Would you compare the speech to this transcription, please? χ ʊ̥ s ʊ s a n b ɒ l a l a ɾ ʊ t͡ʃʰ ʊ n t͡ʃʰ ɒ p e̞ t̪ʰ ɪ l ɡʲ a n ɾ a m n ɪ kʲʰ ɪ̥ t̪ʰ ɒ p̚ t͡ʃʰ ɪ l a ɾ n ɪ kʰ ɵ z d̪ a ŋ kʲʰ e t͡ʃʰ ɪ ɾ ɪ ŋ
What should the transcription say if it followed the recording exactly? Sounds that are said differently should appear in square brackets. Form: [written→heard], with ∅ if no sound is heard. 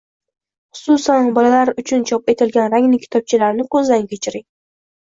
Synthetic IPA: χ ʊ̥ s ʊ s a n b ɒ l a l a ɾ ʊ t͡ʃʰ ʊ n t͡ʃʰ ɒ p e̞ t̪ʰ ɪ l ɡʲ a n ɾ a [m→ŋ] n ɪ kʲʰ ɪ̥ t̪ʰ ɒ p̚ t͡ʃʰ ɪ l a ɾ n ɪ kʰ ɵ z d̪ a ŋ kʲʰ e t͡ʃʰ ɪ ɾ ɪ ŋ